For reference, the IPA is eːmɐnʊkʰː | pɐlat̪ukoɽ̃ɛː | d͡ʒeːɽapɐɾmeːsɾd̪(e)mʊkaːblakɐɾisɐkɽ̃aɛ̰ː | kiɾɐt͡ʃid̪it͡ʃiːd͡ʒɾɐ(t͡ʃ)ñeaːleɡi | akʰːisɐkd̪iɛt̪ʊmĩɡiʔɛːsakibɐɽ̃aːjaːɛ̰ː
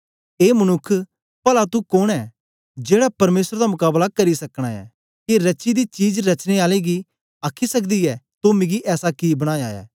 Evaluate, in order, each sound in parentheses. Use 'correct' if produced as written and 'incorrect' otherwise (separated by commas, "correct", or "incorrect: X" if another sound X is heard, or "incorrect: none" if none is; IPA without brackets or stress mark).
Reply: incorrect: a, correct